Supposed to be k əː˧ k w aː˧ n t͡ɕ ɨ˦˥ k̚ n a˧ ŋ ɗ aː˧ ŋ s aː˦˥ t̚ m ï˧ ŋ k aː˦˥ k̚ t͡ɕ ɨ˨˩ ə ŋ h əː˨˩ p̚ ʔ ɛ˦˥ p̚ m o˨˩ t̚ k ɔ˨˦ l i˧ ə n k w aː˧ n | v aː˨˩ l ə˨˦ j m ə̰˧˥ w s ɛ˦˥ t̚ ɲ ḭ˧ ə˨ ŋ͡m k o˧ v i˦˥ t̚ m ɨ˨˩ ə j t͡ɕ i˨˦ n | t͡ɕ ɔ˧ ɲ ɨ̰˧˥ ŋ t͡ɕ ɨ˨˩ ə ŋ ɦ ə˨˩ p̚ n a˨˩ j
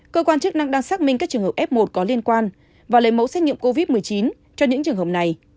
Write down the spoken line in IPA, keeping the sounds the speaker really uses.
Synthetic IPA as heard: k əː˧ k w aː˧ n t͡ɕ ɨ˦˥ k̚ n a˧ ŋ ɗ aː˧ ŋ s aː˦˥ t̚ m ï˧ ŋ k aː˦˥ k̚ t͡ɕ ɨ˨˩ ə ŋ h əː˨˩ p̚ ʔ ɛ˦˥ p̚ m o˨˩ t̚ k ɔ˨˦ l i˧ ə n k w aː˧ n | v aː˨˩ l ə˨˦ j m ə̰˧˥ w s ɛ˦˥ t̚ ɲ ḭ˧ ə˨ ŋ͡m k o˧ v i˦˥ t̚ m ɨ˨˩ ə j t͡ɕ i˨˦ n | t͡ɕ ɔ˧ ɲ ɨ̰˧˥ ŋ t͡ɕ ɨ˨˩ ə ŋ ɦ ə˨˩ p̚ n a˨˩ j